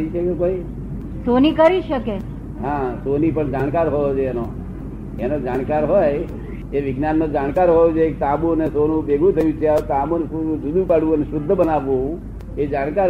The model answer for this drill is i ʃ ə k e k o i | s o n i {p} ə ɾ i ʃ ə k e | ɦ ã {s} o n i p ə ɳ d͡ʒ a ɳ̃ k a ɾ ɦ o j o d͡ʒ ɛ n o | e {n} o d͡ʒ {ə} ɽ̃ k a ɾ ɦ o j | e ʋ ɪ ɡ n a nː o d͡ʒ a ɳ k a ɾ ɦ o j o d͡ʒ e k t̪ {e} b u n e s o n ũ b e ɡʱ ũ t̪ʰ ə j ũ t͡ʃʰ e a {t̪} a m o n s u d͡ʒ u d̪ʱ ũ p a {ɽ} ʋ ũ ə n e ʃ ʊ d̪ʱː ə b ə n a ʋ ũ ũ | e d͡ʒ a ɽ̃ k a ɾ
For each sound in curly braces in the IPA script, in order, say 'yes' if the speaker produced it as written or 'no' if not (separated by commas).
no, yes, yes, no, no, yes, yes